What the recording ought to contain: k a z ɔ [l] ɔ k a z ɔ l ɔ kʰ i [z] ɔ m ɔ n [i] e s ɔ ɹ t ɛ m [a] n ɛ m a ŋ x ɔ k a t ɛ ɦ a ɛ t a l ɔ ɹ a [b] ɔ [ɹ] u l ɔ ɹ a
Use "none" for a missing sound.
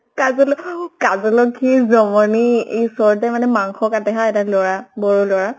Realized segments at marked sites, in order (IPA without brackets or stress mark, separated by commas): l, z, i, a, b, ɹ